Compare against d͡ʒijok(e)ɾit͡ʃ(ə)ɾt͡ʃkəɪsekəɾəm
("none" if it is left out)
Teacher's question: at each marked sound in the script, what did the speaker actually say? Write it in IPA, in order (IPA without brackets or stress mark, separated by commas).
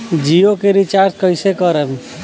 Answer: e, a